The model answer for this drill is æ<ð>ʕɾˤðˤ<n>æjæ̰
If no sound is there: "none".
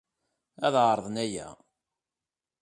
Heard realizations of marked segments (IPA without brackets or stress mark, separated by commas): ð, n